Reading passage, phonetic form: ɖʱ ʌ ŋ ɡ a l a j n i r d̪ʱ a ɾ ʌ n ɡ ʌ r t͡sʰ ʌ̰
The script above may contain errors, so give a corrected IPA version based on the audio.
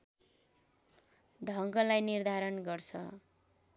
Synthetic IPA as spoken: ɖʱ ʌ ŋ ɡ ʌ l a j n i r d̪ʱ a ɾ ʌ n ɡ ʌ r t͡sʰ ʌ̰